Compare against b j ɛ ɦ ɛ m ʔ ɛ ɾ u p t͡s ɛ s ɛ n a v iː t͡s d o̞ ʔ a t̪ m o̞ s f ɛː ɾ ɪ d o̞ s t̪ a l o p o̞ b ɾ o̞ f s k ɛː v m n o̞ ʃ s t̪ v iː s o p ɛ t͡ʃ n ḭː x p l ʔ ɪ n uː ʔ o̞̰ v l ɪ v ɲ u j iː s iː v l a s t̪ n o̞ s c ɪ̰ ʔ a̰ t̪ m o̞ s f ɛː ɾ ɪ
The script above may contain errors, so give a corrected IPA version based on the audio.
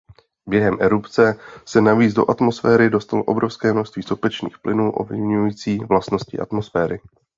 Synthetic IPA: b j ɛ ɦ ɛ m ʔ ɛ ɾ u p t͡s ɛ s ɛ n a v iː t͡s d o̞ ʔ a t̪ m o̞ s f ɛː ɾ ɪ d o̞ s t̪ a l o ʔ o̞ b ɾ o̞ f s k ɛː m n o̞ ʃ s t̪ v iː s o p ɛ t͡ʃ n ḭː x p l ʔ ɪ n uː ʔ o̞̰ v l ɪ v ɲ u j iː t͡s iː v l a s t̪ n o̞ s c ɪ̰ ʔ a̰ t̪ m o̞ s f ɛː ɾ ɪ